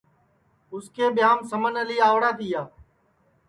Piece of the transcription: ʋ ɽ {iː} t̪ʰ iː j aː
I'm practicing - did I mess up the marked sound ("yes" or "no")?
yes